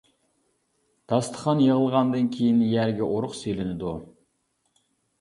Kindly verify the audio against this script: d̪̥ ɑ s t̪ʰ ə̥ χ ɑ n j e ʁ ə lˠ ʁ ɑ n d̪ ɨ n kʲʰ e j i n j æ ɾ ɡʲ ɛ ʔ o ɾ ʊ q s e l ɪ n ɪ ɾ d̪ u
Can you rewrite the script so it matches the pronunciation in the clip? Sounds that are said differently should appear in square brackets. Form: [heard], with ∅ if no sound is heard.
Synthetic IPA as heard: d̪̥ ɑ s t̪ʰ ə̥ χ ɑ n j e ʁ ə lˠ ʁ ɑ n d̪ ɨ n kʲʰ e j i n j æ ɾ ɡʲ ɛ ʔ o ɾ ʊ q s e l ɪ n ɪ [∅] d̪ u